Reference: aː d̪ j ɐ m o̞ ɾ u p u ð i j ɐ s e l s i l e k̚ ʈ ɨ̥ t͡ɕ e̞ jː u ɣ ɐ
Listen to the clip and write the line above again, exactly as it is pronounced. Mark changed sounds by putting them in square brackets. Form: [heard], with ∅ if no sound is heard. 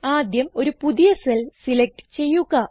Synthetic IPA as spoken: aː d̪ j ɐ m o̞ ɾ u p u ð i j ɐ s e l s i l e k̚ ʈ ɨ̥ t͡ɕ e̞ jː u ɣ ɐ